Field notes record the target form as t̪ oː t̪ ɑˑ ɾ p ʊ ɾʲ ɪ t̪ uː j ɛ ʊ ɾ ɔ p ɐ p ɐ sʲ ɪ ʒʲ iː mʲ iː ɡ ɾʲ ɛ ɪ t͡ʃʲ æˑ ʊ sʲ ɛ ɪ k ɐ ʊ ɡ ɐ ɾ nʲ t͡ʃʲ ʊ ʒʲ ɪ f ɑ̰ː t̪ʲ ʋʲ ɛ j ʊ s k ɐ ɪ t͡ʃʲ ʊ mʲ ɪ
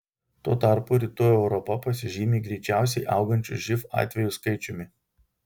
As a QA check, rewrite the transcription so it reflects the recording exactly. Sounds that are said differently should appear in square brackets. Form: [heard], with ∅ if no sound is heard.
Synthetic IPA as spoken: t̪ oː t̪ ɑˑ ɾ p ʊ ɾʲ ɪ t̪ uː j ɛ ʊ ɾ ɔ p ɐ p ɐ sʲ ɪ ʒʲ iː mʲ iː ɡ ɾʲ ɛ ɪ t͡ʃʲ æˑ ʊ sʲ ɛ ɪ [ʔ] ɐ ʊ ɡ ɐ [∅] nʲ t͡ʃʲ ʊ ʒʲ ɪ f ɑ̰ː t̪ʲ ʋʲ ɛ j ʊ s k ɐ ɪ t͡ʃʲ ʊ mʲ ɪ